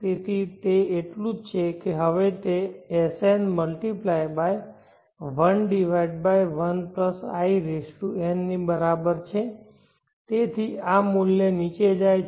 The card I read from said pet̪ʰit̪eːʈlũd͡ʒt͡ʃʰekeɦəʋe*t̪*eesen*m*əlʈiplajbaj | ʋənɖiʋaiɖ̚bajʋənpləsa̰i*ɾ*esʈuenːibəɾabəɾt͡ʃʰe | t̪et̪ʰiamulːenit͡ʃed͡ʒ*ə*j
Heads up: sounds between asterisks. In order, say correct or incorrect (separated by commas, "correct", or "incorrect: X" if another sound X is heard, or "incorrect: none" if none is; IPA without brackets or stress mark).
correct, correct, correct, incorrect: a